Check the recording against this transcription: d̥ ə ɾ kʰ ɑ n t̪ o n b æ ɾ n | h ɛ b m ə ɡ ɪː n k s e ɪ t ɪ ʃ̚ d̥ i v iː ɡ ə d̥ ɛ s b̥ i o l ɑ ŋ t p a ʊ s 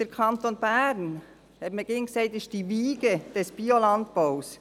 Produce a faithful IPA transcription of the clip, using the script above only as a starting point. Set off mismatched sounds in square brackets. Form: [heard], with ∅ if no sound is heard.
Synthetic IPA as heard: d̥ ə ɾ kʰ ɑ n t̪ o n b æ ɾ n | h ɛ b m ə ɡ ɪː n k s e ɪ t ɪ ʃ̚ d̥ i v iː ɡ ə d̥ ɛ s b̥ i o l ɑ [n] t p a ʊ s